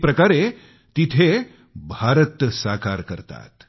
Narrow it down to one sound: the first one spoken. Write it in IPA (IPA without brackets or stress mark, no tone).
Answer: p